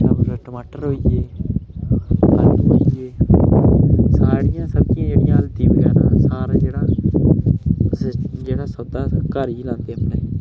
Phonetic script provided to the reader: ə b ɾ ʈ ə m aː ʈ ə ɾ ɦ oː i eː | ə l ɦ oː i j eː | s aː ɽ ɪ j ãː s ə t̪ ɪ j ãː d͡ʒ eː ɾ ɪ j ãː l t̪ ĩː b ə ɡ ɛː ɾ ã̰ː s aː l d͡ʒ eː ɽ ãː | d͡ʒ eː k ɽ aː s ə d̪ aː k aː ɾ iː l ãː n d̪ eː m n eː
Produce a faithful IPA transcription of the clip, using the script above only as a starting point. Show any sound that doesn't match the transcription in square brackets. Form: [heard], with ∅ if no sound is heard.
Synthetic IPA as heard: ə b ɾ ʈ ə m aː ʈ ə ɾ ɦ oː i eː | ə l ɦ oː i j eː | s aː ɽ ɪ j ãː s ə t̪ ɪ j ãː d͡ʒ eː [ɽ] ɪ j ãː l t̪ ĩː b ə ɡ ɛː ɾ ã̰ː s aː [ɾ] d͡ʒ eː ɽ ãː | d͡ʒ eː [∅] ɽ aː s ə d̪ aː k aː ɾ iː l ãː n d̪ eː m n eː